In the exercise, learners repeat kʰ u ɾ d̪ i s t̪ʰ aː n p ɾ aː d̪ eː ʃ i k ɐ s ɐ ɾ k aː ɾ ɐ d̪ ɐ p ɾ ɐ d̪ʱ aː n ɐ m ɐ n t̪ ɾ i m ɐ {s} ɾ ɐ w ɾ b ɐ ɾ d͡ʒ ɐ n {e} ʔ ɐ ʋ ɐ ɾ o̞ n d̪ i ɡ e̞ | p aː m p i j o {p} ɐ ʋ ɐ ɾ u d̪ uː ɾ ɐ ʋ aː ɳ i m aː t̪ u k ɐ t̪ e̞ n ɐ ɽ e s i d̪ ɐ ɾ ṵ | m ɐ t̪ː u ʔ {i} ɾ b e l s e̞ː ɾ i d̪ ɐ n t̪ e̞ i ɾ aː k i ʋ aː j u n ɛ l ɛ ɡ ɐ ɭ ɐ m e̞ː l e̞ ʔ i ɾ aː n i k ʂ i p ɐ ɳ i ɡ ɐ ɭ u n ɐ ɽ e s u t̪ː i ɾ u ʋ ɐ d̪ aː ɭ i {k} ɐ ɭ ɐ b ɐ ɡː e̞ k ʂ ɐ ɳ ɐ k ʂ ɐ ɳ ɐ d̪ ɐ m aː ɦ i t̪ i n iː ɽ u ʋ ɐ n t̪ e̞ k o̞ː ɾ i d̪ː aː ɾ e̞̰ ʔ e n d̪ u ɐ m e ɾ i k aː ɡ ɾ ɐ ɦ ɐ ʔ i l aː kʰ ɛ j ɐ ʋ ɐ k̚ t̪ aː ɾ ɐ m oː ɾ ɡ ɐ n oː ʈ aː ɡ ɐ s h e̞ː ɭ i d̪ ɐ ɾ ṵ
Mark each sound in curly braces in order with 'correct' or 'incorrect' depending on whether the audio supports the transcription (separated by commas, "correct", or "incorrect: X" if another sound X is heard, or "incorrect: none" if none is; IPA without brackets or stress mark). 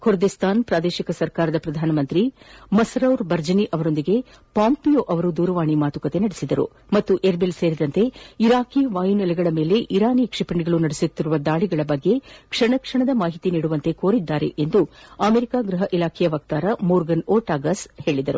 correct, incorrect: i, incorrect: ʔ, incorrect: e, incorrect: ɡ